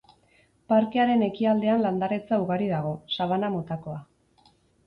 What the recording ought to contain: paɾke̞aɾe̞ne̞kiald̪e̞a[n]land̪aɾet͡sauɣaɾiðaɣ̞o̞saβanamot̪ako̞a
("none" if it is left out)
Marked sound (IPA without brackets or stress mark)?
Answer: n